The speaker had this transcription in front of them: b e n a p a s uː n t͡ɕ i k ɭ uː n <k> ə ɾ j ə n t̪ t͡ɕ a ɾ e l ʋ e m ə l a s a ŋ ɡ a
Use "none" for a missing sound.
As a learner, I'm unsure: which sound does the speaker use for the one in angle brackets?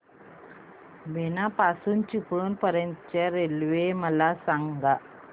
p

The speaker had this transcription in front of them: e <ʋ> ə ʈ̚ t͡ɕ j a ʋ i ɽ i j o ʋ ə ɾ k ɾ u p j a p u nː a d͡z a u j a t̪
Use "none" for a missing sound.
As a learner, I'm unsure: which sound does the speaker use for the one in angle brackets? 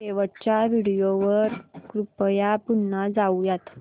ʋ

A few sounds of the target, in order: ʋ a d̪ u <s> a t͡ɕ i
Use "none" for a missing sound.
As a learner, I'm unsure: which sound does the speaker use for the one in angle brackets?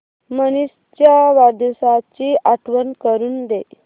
s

